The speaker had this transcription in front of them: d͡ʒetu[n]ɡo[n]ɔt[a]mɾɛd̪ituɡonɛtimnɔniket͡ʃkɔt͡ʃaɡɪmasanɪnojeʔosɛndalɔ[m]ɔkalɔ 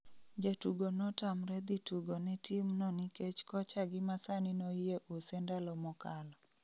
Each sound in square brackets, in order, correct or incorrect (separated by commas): incorrect, correct, correct, correct